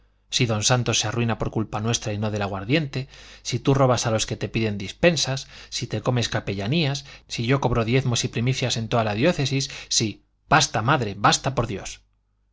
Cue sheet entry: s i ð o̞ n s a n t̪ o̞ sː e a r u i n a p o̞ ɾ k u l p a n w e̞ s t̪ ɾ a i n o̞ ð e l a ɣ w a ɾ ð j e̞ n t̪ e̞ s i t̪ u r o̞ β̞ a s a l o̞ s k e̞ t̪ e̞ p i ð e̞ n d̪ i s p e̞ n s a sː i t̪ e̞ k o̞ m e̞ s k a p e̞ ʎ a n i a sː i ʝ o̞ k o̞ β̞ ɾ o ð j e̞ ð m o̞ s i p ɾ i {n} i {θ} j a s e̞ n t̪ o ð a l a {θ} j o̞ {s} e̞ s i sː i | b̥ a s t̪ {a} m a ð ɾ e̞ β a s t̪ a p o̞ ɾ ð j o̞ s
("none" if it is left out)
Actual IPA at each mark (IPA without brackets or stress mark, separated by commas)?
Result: m, θ, ð, θ, a